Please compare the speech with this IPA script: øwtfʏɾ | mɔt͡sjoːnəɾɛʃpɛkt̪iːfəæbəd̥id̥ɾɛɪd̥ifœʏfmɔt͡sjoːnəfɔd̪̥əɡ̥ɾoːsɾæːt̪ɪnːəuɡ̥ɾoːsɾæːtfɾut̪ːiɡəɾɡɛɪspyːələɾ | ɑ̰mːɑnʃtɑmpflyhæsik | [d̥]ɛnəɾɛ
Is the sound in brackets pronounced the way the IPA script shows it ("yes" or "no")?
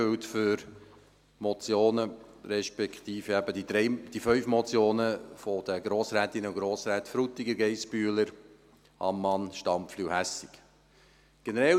no